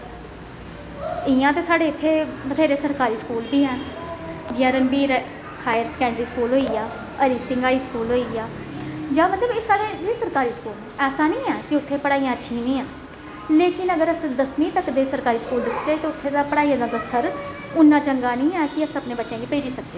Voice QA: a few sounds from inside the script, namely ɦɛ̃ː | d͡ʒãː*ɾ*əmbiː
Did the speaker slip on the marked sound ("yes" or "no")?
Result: no